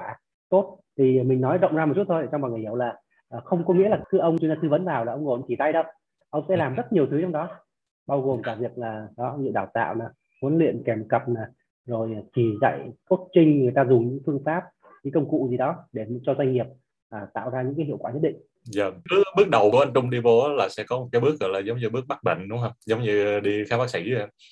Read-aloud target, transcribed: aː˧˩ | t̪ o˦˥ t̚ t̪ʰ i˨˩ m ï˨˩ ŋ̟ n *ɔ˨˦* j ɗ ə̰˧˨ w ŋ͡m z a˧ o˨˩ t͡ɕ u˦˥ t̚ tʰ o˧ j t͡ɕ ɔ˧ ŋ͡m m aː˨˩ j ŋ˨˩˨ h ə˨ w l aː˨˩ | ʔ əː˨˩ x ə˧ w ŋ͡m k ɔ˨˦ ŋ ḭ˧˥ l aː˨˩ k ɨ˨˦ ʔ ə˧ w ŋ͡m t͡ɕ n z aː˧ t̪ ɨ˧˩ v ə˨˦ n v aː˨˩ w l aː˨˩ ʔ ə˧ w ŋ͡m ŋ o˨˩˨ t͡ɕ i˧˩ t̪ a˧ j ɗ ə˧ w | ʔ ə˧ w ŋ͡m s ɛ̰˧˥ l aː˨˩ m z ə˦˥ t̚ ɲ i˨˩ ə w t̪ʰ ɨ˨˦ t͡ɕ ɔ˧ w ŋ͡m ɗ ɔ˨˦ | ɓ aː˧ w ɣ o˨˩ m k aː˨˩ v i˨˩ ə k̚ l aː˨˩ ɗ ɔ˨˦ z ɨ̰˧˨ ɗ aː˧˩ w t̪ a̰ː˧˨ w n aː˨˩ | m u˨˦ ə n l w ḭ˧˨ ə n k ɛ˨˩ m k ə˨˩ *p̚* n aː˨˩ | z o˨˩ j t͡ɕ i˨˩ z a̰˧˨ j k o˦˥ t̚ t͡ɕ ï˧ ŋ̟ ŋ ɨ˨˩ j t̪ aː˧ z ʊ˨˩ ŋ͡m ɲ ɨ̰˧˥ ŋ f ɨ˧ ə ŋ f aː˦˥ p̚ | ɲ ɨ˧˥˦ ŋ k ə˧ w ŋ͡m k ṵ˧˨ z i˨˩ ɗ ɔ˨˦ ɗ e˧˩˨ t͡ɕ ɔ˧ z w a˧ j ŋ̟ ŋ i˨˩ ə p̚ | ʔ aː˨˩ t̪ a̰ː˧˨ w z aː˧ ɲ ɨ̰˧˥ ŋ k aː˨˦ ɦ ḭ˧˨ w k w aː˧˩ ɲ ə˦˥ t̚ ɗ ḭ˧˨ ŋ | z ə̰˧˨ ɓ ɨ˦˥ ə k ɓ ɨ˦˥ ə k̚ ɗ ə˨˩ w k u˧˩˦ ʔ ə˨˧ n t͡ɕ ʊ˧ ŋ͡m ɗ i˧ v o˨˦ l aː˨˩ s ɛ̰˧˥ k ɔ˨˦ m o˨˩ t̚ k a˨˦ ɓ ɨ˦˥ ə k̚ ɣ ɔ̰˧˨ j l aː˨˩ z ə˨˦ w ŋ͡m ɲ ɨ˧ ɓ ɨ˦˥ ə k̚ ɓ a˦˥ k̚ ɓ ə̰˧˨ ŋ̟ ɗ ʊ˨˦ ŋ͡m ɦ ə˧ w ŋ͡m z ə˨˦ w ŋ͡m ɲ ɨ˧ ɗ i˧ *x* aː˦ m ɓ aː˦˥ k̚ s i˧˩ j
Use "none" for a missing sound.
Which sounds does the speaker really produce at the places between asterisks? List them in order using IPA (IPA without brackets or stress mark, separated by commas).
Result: ɔ˨˦, p̚, x